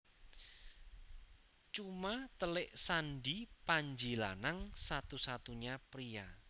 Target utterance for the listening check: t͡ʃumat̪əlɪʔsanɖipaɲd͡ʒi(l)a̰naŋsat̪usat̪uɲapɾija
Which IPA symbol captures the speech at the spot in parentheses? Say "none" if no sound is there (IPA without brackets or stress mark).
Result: l